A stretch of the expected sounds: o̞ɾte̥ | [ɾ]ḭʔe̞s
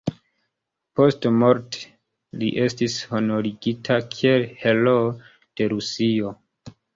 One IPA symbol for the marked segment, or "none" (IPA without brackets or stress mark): l